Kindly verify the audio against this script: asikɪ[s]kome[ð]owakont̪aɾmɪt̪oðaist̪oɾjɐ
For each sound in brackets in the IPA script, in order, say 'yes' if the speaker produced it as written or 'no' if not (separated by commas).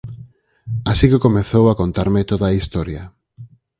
no, no